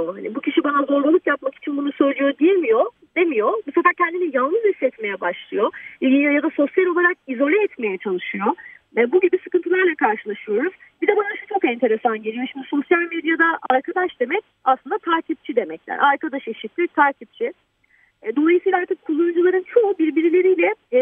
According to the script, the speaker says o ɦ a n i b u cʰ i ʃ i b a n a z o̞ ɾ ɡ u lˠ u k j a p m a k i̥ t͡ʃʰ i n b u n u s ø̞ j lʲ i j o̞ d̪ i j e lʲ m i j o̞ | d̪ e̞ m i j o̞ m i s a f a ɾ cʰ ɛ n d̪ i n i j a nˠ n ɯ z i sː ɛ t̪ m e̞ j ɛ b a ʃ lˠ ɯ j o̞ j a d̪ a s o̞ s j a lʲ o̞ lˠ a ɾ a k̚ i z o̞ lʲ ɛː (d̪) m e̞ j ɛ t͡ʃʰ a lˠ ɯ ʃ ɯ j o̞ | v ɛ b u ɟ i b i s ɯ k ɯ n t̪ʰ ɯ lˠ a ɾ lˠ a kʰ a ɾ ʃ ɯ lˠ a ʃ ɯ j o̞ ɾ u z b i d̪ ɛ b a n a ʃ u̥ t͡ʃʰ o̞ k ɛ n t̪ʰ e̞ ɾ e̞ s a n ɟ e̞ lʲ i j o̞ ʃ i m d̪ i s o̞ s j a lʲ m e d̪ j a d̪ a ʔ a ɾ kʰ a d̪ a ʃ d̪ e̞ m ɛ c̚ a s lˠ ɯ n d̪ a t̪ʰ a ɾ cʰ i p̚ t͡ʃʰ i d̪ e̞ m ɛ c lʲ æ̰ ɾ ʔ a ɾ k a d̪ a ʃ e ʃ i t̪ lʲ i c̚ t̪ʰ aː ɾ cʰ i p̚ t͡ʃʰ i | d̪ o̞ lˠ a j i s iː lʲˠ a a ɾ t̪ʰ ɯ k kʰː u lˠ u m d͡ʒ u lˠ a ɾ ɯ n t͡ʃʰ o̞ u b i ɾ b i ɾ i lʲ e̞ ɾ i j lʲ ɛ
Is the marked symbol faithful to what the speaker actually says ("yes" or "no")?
no